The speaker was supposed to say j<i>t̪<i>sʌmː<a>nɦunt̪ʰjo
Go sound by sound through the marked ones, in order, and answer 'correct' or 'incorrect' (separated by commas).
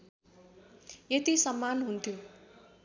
incorrect, correct, correct